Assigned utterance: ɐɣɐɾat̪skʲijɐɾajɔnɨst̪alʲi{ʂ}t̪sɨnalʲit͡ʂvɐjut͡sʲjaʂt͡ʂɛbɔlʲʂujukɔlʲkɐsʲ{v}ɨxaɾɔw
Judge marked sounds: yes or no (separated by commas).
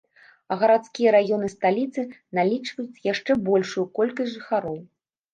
no, no